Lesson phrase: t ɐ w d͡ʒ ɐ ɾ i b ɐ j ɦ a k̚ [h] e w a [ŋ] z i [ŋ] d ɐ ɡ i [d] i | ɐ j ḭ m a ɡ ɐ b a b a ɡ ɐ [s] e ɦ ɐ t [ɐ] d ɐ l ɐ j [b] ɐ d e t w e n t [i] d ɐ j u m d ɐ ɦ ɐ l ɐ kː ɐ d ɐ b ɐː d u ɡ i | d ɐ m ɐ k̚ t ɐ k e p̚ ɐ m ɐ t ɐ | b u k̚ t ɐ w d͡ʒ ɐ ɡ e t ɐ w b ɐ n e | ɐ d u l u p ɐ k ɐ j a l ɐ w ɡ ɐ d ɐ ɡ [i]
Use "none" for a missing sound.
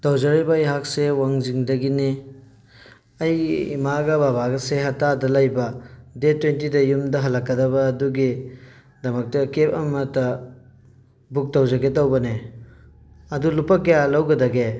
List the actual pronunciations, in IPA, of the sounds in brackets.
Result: s, ŋ, ŋ, n, s, a, b, i, e

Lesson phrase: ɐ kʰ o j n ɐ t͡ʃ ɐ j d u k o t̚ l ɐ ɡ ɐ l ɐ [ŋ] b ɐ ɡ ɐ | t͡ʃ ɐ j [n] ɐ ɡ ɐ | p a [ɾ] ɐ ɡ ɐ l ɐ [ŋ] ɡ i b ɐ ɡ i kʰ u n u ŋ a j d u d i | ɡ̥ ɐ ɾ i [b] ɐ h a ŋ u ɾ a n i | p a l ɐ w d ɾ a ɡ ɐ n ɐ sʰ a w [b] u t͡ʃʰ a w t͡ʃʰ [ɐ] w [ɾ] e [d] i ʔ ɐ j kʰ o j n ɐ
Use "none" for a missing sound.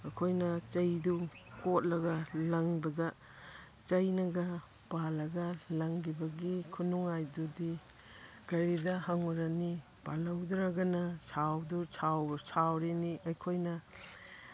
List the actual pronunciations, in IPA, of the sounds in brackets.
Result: ŋ, n, l, ŋ, d, d, a, ɾ, n

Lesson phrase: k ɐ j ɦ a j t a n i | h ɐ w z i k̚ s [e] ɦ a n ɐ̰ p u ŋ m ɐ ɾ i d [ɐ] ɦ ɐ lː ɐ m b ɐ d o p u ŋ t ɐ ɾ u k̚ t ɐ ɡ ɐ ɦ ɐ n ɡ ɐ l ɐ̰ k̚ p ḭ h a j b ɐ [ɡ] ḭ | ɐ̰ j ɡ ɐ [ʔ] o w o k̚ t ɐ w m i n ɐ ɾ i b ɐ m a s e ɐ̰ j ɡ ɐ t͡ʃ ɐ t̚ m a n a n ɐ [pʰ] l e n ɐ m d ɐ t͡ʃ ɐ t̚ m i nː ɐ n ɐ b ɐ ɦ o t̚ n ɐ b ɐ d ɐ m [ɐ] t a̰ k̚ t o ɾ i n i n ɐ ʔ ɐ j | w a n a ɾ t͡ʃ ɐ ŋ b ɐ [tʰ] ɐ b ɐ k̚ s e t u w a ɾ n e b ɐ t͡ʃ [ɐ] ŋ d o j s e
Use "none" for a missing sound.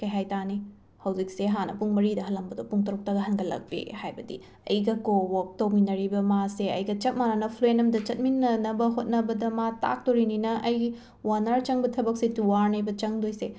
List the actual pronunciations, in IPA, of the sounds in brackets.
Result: e, ɐ, d, k, pʰ, a, tʰ, ɐ

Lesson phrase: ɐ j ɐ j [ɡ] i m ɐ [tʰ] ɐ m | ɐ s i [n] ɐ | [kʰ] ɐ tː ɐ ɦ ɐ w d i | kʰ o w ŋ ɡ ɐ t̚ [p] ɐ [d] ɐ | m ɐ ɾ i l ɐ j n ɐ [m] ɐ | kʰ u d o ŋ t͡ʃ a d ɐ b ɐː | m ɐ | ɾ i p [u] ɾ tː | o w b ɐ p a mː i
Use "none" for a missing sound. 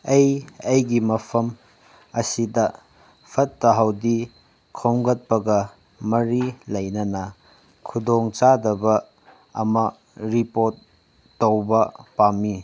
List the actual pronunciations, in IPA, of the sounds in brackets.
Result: ɡ, pʰ, d, pʰ, p, ɡ, n, o

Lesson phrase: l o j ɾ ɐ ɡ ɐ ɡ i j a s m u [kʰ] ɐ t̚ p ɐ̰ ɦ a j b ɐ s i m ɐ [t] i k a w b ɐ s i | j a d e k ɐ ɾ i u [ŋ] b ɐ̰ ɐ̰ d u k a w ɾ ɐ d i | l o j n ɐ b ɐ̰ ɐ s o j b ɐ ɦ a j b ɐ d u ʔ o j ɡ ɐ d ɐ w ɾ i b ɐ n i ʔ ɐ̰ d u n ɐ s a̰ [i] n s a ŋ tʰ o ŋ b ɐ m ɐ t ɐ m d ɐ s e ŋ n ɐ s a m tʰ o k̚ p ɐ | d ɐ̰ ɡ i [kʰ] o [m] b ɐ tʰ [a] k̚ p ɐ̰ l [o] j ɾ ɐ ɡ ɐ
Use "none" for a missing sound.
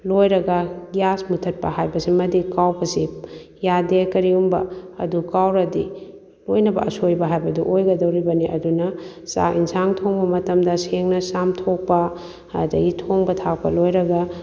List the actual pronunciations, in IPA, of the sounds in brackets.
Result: tʰ, d, m, i, tʰ, ŋ, a, o

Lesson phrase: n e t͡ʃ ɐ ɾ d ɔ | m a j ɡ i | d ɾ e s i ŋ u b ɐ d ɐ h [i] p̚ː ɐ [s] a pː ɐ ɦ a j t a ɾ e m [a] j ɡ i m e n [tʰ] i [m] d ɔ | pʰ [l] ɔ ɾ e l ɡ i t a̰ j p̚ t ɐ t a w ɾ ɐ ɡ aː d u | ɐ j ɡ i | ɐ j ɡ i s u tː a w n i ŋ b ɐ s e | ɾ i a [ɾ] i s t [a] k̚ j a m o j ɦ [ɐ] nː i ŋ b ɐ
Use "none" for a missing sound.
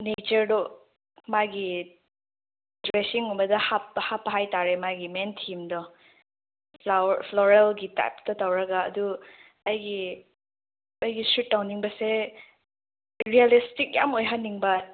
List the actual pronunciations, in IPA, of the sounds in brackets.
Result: a, h, a, tʰ, m, l, l, i, a

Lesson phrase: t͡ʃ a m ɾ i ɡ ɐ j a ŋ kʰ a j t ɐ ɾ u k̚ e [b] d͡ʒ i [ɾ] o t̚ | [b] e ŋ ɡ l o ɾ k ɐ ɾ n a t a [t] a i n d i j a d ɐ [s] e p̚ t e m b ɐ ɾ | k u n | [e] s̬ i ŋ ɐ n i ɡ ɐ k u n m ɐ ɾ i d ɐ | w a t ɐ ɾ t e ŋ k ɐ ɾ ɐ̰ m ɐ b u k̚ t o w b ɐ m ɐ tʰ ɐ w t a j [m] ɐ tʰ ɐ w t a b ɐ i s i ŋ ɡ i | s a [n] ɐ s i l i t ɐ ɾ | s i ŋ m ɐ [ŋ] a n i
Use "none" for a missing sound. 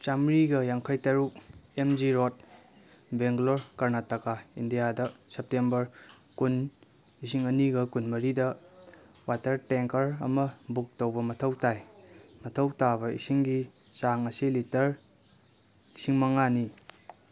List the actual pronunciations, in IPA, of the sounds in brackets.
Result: m, ɾ, b, k, s, i, m, ŋ, ŋ

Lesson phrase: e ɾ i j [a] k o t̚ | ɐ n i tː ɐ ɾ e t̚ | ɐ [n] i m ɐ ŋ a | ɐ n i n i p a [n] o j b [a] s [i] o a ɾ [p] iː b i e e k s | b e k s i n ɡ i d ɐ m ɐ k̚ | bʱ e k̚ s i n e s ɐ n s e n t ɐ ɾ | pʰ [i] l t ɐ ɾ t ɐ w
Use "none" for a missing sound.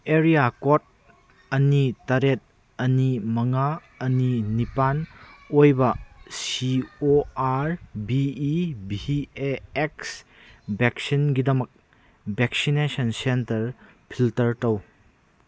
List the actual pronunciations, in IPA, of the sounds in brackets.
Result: a, n, n, ɐ, i, b, i

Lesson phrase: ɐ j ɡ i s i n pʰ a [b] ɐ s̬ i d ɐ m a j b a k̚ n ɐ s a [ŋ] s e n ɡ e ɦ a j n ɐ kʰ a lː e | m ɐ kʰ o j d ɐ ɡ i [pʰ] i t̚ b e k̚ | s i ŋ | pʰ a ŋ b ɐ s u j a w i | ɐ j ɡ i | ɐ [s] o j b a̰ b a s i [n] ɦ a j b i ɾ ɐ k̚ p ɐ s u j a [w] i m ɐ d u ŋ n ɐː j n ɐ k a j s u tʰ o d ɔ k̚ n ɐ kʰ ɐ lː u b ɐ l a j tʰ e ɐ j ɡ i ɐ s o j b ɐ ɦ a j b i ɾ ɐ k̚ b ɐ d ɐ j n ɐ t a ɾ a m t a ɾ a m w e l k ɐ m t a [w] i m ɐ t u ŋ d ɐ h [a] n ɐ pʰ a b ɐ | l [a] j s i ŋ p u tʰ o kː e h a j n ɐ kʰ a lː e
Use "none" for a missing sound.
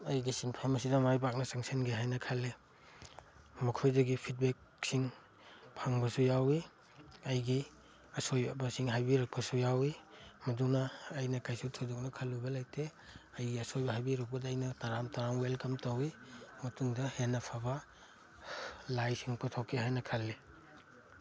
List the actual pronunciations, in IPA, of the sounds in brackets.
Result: m, ŋ, pʰ, s, ŋ, w, w, e, a

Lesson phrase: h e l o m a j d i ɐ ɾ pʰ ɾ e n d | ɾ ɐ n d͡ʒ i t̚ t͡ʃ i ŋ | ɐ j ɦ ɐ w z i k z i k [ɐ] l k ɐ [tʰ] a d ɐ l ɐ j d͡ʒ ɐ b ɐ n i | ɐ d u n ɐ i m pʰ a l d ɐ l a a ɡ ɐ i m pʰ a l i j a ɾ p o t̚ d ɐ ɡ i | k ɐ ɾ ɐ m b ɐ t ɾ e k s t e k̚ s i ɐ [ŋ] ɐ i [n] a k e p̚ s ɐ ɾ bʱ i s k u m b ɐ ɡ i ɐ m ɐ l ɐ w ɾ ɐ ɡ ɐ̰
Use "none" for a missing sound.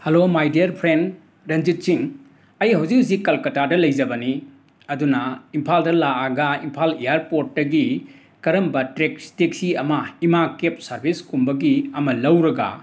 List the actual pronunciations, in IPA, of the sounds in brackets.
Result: ɐ, t, m, m

